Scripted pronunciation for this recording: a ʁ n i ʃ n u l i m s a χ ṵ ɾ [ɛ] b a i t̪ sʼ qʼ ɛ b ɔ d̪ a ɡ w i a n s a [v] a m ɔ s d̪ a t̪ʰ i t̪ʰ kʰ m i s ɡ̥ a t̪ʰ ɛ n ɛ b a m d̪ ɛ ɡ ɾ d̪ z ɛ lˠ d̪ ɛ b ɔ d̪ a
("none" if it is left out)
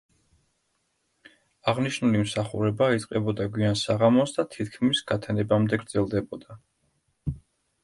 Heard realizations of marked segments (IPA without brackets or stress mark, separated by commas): ɛ, ʁ